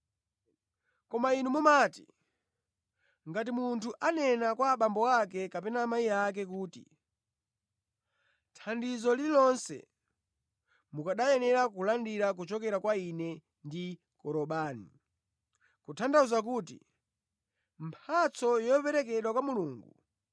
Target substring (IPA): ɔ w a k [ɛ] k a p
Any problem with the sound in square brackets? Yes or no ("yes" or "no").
no